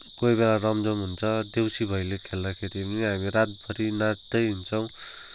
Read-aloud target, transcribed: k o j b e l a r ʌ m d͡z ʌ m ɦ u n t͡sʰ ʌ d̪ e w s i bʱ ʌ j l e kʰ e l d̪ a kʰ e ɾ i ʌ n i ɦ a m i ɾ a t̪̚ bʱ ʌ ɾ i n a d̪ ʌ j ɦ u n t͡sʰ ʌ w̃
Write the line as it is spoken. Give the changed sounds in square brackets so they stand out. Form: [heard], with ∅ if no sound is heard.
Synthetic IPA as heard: k o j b e l a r ʌ m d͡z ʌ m ɦ u n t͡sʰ ʌ d̪ e w s i bʱ ʌ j l e kʰ e l d̪ a kʰ e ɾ i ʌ n i ɦ a m i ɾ a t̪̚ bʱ ʌ ɾ i n a d̪ ʌ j ɦ u n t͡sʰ ʌ w̃

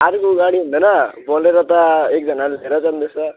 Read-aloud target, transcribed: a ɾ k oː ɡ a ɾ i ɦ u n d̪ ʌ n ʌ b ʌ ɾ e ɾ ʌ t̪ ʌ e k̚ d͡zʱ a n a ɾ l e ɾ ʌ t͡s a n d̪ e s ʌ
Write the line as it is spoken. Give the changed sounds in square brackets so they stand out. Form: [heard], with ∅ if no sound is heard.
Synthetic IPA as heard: a ɾ k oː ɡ a [ɽ] i ɦ u n d̪ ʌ n ʌ b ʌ [l] e ɾ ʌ t̪ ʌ e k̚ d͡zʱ [ʌ] n a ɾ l e ɾ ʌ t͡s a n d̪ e s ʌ

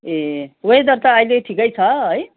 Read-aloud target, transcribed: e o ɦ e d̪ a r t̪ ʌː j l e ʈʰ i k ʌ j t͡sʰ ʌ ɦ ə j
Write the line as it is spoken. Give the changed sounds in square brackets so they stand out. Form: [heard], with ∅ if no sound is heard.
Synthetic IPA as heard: e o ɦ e d̪ [ʌ] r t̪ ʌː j l e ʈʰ i k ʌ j t͡sʰ ʌ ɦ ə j

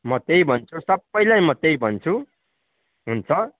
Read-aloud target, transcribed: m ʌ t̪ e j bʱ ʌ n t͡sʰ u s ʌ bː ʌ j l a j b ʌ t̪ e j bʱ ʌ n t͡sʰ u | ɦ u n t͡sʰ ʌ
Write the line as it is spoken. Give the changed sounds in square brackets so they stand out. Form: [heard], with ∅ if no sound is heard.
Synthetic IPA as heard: m ʌ t̪ e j bʱ ʌ n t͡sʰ u s ʌ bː ʌ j l a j [m] ʌ t̪ e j bʱ ʌ n t͡sʰ u | ɦ u n t͡sʰ ʌ

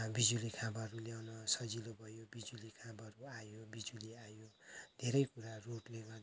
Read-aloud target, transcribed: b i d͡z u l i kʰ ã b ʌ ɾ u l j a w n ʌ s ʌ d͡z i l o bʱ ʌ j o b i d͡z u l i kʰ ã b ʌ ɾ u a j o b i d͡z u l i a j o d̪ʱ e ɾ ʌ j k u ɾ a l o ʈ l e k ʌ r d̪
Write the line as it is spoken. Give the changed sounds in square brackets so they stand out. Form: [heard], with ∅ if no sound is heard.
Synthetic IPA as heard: b i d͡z u l i kʰ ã b ʌ ɾ u l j a w n ʌ s ʌ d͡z i l o bʱ ʌ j o b i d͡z u l i kʰ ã b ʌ ɾ u a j o b i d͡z u l i a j o d̪ʱ e ɾ ʌ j k u ɾ a [r] o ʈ l e [ɡ] ʌ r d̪

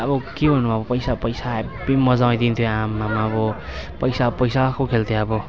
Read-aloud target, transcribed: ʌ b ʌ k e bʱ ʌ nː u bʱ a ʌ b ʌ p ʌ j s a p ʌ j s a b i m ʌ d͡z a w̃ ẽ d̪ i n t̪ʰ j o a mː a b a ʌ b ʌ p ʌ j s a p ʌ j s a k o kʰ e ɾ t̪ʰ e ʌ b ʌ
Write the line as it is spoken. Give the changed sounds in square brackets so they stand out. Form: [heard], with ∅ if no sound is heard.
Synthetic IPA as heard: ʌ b ʌ k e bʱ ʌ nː u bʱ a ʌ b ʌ p ʌ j s a p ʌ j s a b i m ʌ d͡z a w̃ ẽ d̪ i n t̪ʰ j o a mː a [m] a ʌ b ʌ p ʌ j s a p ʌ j s a k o kʰ e [l] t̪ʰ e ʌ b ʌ

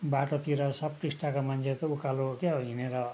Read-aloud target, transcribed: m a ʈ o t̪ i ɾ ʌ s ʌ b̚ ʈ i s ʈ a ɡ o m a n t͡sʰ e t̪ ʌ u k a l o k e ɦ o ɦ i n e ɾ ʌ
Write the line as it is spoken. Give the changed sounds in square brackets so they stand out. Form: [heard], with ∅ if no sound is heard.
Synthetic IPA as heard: [b] a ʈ o t̪ i ɾ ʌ s ʌ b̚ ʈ i s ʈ a [k] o m a n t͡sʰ e t̪ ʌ u k a l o k e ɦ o ɦ i n e ɾ ʌ

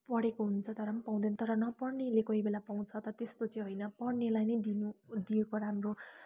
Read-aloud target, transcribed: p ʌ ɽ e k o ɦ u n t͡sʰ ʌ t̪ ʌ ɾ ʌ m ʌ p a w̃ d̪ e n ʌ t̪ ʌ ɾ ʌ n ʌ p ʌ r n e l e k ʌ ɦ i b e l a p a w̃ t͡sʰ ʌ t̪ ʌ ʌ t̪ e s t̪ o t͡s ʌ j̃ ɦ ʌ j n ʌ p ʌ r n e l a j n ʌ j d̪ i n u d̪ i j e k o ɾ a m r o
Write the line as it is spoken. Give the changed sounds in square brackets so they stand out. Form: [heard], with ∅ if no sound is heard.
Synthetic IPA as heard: p ʌ ɽ e k o ɦ u n t͡sʰ ʌ t̪ ʌ ɾ ʌ m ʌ p a w̃ d̪ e n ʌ t̪ ʌ ɾ ʌ n ʌ p ʌ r n e l e k ʌ ɦ i b e l a p a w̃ t͡sʰ ʌ t̪ ʌ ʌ t̪ e s t̪ o t͡s ʌ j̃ ɦ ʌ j n ʌ p ʌ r n e l a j n ʌ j d̪ i n u d̪ i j e k o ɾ a m r o

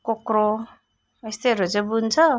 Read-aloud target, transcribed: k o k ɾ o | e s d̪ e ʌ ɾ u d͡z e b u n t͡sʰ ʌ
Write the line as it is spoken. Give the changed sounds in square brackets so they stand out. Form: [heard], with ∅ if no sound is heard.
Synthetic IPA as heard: k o k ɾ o | e s [t̪] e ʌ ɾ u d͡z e b u n t͡sʰ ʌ

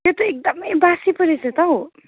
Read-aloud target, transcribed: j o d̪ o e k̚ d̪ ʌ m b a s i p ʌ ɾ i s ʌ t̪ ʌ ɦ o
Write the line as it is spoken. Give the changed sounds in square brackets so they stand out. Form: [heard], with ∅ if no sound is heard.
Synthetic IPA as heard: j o [t̪] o e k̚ d̪ ʌ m b a s i p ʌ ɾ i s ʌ t̪ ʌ ɦ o

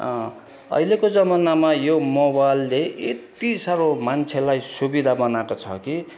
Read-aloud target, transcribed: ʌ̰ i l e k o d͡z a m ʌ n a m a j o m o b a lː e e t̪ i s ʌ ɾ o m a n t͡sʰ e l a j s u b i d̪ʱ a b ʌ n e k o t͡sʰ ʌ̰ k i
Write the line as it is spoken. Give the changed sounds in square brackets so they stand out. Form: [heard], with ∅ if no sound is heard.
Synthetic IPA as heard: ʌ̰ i l e k o d͡z [ʌ] m ʌ n a m a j o m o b a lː e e t̪ i s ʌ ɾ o m a n t͡sʰ e l a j s u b i d̪ʱ a b ʌ n [a] k o t͡sʰ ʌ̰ k i

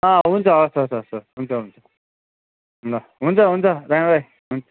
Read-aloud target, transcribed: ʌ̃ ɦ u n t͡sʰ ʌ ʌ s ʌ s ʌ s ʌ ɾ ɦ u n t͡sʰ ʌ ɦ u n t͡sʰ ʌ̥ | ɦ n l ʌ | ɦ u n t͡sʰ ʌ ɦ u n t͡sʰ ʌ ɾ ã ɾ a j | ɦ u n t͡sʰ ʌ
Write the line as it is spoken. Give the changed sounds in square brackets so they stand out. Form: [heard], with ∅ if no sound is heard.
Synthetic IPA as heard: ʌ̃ ɦ u n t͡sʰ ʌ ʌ s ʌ s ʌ s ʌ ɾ ɦ u n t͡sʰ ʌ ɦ u n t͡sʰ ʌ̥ | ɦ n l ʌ | ɦ u n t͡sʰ ʌ ɦ u n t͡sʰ ʌ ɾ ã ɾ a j | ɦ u n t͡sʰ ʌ

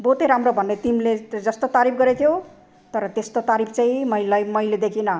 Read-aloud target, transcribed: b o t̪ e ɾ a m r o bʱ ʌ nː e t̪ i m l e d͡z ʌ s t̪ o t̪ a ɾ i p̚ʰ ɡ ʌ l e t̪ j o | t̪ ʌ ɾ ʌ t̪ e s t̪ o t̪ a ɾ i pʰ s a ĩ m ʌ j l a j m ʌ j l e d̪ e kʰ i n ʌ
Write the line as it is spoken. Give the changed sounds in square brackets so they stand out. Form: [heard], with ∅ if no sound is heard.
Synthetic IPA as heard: b o t̪ e ɾ a m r o bʱ ʌ nː e t̪ i m l e d͡z ʌ s t̪ o t̪ a ɾ i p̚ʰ ɡ ʌ [ɾ] e [t̪ʰ] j o | t̪ ʌ ɾ ʌ t̪ e s t̪ o t̪ a ɾ i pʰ [t͡s] a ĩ m ʌ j l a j m ʌ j l e d̪ e kʰ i n ʌ

